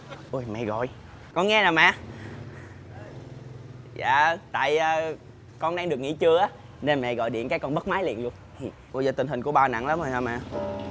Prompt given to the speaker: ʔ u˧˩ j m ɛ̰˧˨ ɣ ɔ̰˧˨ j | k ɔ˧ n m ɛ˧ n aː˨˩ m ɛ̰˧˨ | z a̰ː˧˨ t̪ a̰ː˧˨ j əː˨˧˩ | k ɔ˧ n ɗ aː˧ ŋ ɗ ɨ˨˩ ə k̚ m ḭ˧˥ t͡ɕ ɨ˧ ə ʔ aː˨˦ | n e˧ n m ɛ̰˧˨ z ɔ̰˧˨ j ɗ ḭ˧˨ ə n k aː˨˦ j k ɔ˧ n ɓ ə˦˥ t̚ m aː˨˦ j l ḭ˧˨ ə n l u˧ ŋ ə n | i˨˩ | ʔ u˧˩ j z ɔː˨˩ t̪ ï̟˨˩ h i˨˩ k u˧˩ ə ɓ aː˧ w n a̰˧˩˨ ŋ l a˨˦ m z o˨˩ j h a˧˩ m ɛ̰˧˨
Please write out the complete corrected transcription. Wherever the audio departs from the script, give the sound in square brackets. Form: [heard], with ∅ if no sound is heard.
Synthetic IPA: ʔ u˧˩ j m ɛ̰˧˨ ɣ ɔ̰˧˨ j | k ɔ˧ n [ŋ] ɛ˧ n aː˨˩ m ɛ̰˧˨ | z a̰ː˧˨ t̪ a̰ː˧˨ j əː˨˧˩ | k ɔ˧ n ɗ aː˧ ŋ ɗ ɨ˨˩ ə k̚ [ŋ] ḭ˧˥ t͡ɕ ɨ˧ ə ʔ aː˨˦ | n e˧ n m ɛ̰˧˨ [ɣ] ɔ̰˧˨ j ɗ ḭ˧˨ ə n k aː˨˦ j k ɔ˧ n ɓ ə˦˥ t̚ m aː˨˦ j l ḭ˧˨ ə n l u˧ [∅] ə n | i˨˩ | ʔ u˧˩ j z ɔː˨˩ t̪ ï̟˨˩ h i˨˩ k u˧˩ ə ɓ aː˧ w n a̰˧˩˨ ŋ l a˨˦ m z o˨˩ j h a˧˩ m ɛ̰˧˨